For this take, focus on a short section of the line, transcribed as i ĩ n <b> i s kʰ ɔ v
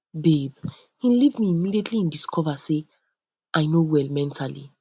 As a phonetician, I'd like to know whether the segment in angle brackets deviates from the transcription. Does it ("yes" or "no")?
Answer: yes